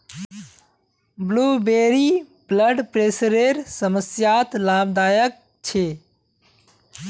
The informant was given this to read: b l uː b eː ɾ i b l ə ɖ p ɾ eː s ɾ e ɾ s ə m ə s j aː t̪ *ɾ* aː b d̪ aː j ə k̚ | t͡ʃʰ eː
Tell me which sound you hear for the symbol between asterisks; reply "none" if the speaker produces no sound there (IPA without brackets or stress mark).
l